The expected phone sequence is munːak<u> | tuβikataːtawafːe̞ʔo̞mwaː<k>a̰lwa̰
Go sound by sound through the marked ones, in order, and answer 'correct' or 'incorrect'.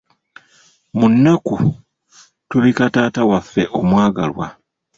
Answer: correct, incorrect: ɡ

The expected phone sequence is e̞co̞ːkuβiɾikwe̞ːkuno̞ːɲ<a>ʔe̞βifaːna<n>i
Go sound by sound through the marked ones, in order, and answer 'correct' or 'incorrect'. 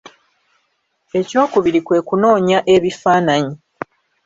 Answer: correct, incorrect: ɲ

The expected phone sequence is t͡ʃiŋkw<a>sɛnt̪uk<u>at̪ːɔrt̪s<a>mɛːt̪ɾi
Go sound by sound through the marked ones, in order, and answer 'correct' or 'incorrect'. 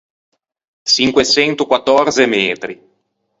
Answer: incorrect: e, incorrect: w, incorrect: e

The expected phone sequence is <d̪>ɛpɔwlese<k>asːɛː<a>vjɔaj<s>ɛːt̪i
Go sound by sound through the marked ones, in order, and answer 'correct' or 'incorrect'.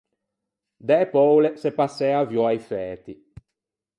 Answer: correct, incorrect: p, correct, incorrect: f

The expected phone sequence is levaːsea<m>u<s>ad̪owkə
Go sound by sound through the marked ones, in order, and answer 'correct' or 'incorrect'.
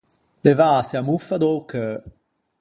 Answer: correct, incorrect: f

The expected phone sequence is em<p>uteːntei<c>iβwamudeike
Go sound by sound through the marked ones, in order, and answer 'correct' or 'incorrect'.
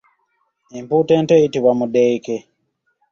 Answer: correct, incorrect: t

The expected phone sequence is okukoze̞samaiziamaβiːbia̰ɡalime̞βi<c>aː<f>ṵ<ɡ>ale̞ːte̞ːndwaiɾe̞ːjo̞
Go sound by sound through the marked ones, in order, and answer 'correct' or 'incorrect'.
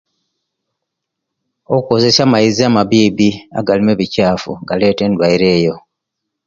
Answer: correct, correct, correct

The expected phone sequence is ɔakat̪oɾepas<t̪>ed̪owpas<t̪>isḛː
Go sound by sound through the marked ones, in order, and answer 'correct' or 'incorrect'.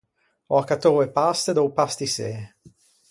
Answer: correct, correct

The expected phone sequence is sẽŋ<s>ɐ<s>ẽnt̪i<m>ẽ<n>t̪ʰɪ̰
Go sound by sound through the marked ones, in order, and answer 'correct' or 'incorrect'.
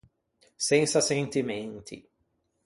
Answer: correct, correct, correct, correct

